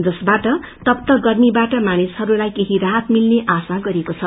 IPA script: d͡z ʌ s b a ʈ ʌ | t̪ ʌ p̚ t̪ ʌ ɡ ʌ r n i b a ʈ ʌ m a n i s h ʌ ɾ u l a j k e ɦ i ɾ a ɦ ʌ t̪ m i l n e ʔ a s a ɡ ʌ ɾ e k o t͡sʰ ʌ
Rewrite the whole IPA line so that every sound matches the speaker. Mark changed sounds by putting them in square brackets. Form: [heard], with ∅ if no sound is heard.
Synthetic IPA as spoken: d͡z ʌ s b a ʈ ʌ | t̪ ʌ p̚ t̪ ʌ ɡ ʌ r n i b a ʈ ʌ m a n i s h ʌ ɾ u l a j k e ɦ i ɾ a ɦ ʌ t̪ m i l n e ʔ a s a ɡ ʌ ɾ e k o t͡sʰ ʌ